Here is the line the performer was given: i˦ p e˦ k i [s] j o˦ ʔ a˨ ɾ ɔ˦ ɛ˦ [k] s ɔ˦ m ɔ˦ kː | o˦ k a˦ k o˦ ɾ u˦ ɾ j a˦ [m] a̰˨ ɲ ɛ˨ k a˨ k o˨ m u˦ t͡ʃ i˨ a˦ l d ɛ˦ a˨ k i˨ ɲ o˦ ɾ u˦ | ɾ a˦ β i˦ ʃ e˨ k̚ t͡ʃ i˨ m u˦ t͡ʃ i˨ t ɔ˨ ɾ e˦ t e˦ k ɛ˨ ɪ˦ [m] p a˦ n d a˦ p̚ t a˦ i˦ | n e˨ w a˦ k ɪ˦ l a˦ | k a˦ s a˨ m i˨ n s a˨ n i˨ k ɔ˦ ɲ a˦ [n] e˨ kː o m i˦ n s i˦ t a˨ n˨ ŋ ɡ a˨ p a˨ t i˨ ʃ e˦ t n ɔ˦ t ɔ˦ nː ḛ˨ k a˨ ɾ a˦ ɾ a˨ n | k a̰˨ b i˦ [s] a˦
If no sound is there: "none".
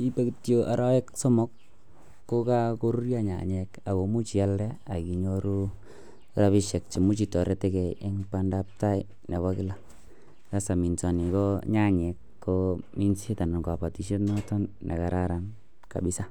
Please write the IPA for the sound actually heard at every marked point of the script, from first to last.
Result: t, k, ɲ, ŋ, ɲ, s

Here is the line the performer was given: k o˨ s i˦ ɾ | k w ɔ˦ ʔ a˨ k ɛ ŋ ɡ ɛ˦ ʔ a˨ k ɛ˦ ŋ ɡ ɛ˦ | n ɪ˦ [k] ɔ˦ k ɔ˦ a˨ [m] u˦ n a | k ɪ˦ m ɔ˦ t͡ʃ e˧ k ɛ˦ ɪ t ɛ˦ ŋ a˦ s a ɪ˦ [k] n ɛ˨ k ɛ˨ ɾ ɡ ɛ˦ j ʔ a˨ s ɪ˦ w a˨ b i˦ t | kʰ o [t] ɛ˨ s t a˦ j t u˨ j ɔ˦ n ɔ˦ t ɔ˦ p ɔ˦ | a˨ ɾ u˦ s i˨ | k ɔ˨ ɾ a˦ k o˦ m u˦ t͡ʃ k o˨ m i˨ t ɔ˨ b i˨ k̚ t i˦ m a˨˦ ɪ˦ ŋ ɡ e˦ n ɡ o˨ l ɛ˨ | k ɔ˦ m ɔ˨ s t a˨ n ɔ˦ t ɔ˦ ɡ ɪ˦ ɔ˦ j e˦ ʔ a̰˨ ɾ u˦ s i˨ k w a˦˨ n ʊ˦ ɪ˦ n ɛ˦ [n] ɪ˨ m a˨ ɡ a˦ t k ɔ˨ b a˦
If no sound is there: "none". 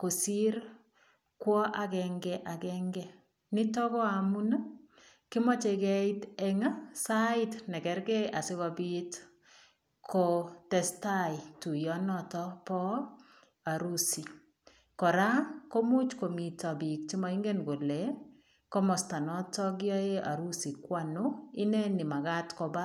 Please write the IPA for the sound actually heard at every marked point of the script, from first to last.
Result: t, m, t, t, n

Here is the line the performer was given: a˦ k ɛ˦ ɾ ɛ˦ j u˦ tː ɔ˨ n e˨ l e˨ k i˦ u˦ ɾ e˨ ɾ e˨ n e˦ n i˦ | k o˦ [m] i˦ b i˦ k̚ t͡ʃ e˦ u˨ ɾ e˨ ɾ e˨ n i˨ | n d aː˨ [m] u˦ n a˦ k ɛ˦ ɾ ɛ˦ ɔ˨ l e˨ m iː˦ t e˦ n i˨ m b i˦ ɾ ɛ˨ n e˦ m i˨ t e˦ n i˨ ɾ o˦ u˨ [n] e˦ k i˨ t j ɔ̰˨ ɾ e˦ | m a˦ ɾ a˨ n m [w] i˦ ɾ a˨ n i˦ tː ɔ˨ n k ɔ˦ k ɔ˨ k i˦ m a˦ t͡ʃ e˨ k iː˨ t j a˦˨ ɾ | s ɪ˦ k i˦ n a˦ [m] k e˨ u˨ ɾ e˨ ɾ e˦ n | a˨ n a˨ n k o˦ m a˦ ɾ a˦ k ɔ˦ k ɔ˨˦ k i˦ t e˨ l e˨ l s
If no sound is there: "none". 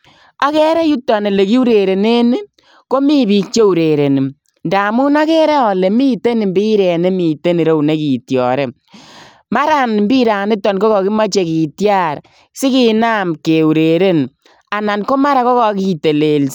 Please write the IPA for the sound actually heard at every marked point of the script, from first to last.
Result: m, m, n, b, m

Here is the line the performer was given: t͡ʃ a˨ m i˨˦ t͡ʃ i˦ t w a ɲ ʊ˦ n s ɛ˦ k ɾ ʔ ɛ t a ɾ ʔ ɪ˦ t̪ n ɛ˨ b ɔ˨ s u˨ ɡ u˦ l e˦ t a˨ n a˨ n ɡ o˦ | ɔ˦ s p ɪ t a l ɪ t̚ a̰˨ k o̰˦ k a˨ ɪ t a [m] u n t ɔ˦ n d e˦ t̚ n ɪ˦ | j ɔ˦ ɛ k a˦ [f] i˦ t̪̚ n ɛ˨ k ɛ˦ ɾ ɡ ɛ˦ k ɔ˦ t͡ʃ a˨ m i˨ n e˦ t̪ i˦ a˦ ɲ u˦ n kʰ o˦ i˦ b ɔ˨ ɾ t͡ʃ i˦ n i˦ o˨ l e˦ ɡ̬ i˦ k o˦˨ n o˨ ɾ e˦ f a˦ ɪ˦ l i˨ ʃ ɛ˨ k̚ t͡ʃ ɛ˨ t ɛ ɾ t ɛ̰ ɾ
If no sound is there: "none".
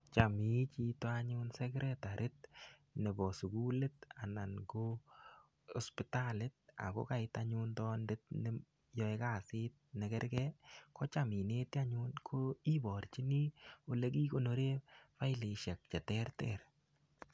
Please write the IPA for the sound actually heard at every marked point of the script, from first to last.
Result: ɲ, s

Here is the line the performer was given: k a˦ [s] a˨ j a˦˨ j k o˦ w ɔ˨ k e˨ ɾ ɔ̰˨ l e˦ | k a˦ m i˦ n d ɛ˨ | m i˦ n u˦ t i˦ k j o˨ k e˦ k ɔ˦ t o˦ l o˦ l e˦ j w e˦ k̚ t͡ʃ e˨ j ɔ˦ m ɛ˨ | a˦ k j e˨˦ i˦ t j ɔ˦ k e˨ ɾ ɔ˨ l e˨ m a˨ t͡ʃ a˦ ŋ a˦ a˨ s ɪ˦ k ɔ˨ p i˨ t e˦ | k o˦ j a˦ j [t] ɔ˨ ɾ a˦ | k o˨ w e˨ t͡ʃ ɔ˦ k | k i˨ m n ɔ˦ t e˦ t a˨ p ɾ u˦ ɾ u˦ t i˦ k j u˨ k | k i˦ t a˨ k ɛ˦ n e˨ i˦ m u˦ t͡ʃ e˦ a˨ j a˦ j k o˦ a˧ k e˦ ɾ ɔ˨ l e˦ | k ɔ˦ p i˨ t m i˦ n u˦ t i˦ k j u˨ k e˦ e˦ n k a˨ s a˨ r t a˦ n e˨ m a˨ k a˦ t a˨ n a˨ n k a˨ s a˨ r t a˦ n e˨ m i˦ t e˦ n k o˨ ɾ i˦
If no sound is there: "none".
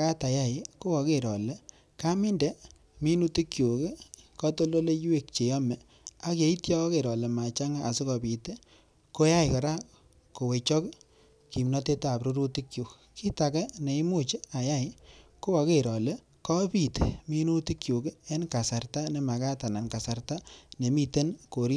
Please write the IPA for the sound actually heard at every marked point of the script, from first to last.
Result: t, k

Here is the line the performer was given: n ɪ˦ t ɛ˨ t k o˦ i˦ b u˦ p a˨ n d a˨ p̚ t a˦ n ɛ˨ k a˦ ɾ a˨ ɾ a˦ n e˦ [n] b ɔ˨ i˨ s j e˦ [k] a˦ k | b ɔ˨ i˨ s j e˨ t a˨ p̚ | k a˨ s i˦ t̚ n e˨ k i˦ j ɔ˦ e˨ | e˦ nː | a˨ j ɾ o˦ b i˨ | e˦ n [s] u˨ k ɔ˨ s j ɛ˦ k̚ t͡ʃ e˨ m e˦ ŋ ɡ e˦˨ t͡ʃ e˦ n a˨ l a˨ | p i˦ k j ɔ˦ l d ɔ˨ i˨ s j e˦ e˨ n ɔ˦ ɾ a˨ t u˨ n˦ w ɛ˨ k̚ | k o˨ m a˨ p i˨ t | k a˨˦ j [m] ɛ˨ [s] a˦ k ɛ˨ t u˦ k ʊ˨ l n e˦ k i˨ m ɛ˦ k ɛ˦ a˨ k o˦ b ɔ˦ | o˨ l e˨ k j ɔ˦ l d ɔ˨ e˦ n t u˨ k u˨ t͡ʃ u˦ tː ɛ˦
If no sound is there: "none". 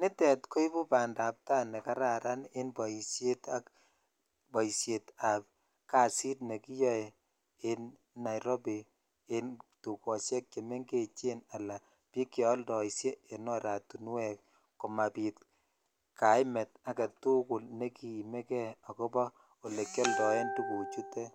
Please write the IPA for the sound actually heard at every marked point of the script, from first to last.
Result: n, t, t, m, t

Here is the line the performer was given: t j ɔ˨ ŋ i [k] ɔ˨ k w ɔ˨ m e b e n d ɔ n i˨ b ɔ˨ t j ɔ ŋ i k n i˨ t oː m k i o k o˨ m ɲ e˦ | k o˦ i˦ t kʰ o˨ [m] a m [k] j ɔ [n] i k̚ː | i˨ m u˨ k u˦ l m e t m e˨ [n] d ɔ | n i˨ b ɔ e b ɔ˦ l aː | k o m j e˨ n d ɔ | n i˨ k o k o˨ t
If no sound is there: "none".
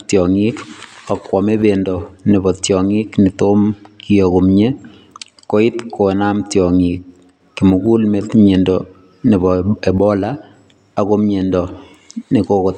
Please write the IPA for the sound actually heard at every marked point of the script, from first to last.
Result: k, n, t, ŋ, n

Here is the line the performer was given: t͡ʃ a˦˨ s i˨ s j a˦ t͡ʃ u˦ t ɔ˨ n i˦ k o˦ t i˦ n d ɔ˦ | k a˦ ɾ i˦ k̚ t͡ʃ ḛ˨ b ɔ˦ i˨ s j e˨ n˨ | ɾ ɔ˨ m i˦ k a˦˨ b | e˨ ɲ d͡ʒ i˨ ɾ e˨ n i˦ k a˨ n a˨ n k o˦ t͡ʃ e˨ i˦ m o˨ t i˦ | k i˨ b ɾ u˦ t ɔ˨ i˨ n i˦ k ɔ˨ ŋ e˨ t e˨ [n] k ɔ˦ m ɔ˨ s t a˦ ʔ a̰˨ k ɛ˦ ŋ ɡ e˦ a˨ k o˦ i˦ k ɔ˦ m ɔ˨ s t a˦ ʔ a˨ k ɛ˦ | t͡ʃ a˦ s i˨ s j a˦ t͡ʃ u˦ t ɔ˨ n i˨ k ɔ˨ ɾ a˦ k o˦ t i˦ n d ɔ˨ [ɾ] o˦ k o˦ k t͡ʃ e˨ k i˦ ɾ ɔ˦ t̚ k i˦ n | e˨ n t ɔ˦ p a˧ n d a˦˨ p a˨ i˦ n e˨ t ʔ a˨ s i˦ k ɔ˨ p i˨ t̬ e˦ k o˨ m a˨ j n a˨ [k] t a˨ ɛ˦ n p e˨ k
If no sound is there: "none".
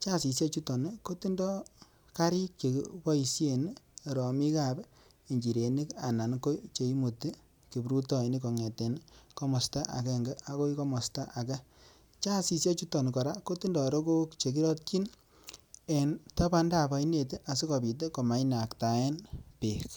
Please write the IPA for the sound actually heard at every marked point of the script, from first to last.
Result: n, ɾ, k

